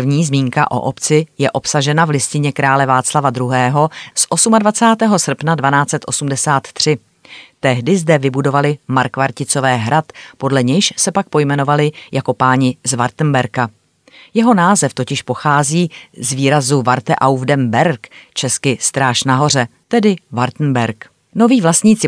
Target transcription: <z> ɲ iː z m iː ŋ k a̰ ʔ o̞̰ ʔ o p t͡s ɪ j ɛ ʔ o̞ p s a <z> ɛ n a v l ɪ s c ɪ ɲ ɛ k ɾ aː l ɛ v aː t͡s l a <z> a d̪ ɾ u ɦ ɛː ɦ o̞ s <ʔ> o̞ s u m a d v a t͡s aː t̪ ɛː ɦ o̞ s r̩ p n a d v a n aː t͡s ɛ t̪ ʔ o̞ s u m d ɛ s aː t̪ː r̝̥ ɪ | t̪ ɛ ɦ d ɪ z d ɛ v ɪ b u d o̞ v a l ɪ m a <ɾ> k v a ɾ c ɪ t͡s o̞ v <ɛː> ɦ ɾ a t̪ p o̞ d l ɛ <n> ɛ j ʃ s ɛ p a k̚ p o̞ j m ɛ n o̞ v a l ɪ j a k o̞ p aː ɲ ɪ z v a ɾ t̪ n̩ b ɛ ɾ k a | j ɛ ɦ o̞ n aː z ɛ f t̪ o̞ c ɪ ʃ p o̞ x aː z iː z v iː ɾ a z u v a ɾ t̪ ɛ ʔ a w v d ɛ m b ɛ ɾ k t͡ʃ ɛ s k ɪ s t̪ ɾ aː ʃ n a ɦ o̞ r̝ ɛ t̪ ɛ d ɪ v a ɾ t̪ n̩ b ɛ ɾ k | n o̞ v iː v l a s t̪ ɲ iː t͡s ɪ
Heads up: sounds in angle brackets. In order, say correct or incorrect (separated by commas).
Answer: incorrect, incorrect, incorrect, correct, correct, correct, incorrect